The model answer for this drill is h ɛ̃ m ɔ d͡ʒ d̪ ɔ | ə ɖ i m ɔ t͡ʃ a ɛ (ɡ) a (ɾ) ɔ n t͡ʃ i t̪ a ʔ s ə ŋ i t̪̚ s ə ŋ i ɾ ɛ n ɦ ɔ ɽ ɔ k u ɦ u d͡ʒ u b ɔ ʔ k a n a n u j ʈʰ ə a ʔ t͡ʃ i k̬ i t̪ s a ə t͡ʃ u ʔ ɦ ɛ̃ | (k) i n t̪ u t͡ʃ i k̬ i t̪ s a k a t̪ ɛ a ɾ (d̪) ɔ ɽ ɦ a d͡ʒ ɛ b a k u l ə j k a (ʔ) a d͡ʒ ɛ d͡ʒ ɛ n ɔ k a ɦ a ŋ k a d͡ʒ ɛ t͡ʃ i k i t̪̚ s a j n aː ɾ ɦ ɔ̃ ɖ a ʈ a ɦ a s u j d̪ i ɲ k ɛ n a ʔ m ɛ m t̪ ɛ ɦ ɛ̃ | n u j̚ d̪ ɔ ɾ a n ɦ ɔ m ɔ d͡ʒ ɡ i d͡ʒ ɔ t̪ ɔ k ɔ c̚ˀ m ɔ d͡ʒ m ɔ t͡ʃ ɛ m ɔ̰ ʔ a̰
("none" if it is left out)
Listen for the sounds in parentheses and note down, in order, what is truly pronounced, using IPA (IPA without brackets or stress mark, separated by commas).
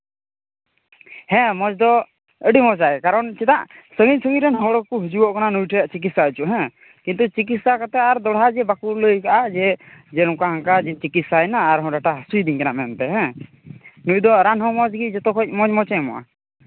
k, ɾ, k, d̪, ʔ